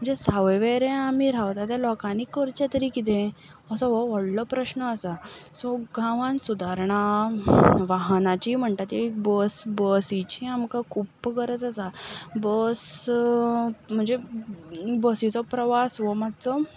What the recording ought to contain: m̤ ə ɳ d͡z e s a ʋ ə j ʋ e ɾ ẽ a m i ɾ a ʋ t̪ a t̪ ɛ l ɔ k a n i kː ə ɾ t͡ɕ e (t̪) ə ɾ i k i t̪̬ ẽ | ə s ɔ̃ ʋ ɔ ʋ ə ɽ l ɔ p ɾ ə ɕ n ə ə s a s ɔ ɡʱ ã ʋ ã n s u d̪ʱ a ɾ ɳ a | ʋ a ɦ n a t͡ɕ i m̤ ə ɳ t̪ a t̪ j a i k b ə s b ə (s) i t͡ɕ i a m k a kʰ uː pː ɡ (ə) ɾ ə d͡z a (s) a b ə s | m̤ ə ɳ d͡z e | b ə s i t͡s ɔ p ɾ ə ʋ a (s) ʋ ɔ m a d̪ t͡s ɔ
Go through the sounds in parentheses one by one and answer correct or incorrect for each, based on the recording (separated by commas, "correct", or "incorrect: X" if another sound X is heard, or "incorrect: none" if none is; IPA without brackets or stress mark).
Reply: correct, correct, correct, correct, correct